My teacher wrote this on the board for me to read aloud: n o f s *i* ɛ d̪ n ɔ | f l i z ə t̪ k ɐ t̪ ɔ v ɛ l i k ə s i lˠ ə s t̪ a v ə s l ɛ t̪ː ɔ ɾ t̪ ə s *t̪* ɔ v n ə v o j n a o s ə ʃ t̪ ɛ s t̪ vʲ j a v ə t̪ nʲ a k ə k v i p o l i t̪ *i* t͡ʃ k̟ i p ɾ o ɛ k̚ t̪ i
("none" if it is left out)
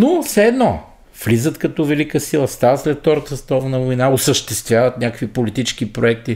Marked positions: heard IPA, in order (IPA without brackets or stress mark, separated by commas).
ɛ, t̪, i